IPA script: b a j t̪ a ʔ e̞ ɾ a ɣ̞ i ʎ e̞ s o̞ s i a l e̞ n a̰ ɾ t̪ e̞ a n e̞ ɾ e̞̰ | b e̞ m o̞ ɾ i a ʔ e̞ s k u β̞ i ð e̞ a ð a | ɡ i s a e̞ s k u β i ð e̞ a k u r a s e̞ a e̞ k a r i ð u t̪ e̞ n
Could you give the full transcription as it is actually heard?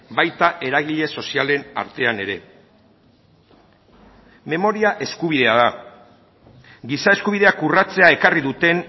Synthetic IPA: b a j t̪ a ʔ e̞ ɾ a ɣ̞ i ʎ e̞ s o̞ s i a l e̞ n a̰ ɾ t̪ e̞ a n e̞ ɾ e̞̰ | m e̞ m o̞ ɾ i a ʔ e̞ s k u β̞ i ð e̞ a ð a | ɡ i s a e̞ s k u β i ð e̞ a k u r a t͡s e̞ a e̞ k a r i ð u t̪ e̞ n